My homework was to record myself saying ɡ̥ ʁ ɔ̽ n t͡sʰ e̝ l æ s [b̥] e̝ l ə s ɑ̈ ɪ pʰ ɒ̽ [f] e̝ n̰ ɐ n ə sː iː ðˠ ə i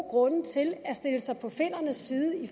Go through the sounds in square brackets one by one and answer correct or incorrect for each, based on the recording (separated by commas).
incorrect, correct